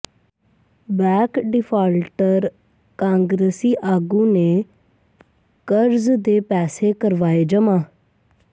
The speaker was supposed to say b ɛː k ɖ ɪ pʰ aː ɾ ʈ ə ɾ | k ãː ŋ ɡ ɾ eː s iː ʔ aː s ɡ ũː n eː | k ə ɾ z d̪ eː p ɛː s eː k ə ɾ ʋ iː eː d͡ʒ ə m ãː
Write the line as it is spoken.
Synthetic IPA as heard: b ɛː k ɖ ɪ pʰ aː l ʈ ə ɾ | k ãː ŋ ɡ ɾ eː s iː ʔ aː ɡ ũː n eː | k ə ɾ z d̪ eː p ɛː s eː k ə ɾ ʋ aː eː d͡ʒ ə m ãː